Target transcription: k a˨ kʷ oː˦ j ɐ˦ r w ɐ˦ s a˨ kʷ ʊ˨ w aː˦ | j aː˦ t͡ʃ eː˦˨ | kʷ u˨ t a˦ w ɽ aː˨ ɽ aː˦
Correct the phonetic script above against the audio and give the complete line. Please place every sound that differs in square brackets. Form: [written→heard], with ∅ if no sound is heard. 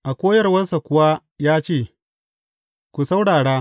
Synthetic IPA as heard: [k→ʔ] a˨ kʷ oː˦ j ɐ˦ r w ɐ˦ s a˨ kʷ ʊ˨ w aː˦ | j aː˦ t͡ʃ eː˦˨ | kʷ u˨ [t→s] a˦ w ɽ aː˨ ɽ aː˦